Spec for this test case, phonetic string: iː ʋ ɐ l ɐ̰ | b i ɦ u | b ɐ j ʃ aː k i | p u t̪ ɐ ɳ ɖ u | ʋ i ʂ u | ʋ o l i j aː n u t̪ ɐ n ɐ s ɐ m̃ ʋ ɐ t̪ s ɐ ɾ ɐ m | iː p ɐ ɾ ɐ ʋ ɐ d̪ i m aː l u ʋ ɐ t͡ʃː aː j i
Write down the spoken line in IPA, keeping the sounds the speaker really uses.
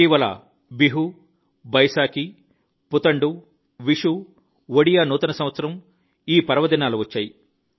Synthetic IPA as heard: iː ʋ ɐ l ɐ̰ | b i ɦ u | b ɐ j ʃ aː k i | p u t̪ ɐ ɳ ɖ u | ʋ i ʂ u | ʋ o ɽ i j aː n uː t̪ ɐ n ɐ s ɐ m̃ ʋ ɐ t̪ s ɐ ɾ ɐ m | iː p ɐ ɾ ɐ ʋ ɐ d̪ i n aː l u ʋ ɐ t͡ʃː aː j i